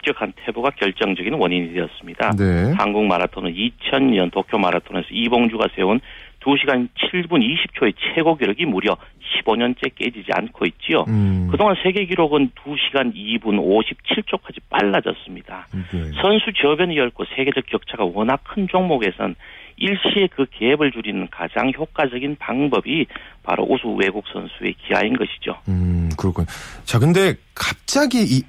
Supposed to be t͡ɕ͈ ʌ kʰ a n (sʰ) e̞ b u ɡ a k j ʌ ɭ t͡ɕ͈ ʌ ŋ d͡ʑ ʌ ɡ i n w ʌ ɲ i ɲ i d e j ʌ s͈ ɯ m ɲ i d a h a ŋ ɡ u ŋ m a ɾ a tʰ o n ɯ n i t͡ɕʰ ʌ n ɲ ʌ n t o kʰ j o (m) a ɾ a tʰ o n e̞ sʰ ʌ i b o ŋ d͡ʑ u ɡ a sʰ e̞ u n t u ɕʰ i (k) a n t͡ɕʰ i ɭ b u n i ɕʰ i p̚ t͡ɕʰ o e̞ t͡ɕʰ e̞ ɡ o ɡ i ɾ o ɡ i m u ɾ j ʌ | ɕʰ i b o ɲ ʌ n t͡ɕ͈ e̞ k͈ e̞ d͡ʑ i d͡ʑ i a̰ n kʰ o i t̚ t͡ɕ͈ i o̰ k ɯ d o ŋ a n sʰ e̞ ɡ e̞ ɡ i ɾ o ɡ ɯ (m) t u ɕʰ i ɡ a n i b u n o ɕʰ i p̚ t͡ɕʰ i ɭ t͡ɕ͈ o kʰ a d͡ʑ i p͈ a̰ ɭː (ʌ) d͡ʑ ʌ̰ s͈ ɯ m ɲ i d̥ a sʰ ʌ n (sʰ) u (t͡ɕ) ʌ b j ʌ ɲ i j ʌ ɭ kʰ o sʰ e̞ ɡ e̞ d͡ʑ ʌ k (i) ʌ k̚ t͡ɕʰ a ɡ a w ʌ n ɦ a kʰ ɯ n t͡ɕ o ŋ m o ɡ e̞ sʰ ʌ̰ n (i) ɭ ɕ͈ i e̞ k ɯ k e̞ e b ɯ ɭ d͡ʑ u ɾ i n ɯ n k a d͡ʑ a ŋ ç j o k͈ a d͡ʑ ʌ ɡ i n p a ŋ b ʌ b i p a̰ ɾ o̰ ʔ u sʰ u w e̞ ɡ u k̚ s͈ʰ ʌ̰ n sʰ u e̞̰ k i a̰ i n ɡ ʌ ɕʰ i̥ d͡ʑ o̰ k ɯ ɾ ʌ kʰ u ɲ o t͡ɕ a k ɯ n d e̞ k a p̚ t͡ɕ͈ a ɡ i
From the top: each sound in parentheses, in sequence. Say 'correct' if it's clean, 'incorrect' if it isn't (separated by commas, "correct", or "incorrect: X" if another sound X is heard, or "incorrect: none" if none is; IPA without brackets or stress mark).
incorrect: tʰ, correct, incorrect: ɡ, incorrect: n, incorrect: a, correct, correct, incorrect: j, correct